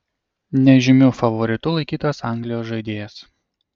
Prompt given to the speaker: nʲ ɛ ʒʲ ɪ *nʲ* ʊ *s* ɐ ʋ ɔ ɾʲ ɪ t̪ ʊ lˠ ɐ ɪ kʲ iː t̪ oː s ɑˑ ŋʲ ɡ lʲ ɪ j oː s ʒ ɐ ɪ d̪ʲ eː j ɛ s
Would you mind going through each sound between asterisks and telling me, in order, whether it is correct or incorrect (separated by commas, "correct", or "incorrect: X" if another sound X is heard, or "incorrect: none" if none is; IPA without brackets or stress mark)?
incorrect: mʲ, incorrect: f